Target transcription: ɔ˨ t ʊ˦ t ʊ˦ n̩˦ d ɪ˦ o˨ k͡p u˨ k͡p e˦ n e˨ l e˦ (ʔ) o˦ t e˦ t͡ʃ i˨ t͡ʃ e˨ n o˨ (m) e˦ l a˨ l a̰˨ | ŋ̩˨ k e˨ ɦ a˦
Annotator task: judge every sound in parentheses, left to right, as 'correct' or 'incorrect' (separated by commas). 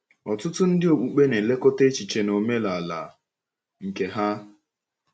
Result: incorrect, correct